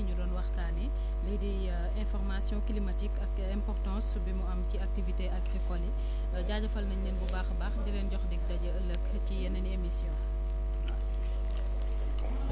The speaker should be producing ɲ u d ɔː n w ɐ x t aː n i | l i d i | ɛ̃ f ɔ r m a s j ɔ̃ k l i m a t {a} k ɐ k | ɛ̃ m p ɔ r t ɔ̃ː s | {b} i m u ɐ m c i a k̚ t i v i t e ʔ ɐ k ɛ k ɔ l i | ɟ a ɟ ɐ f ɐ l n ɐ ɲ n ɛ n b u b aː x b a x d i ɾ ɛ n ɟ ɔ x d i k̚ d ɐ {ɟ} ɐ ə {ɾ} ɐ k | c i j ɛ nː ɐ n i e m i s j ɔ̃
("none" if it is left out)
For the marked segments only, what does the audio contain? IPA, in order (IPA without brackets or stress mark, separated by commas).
i, b, ɟ, l